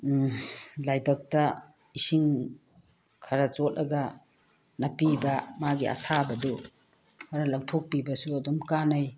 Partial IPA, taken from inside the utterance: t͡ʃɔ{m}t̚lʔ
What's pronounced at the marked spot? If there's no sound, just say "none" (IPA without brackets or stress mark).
none